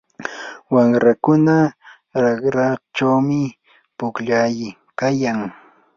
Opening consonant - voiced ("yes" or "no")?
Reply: yes